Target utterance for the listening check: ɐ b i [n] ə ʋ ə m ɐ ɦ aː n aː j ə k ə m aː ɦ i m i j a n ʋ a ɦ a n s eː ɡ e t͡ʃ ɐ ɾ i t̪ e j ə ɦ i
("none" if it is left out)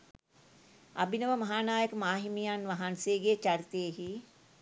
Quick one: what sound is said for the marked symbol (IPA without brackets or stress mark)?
n